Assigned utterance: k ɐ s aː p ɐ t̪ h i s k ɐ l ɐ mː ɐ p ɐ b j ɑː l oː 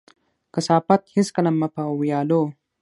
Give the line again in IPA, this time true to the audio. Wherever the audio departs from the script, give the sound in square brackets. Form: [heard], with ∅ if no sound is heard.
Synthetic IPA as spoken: k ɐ s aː p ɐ t̪ h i s k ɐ l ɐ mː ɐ p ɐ [w] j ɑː l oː